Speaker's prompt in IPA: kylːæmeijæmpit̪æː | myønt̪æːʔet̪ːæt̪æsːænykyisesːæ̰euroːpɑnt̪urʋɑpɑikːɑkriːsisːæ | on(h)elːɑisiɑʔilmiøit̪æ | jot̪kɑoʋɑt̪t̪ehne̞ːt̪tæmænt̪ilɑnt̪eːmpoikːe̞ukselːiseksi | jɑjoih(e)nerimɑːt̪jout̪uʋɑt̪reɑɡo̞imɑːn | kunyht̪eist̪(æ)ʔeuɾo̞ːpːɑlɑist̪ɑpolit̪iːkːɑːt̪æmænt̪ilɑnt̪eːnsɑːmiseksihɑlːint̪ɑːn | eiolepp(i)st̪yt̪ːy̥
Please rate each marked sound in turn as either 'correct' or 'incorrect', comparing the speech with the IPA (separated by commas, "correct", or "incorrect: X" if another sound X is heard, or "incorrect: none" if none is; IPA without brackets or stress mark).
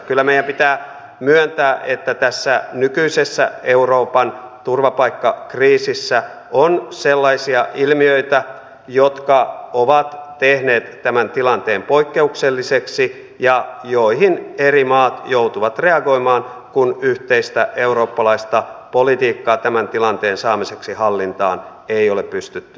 incorrect: s, incorrect: i, correct, incorrect: y